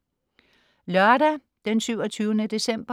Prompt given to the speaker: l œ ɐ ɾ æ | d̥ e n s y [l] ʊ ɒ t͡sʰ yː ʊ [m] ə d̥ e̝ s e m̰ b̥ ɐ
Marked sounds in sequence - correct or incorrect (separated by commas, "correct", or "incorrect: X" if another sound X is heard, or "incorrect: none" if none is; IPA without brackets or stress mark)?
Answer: incorrect: none, incorrect: n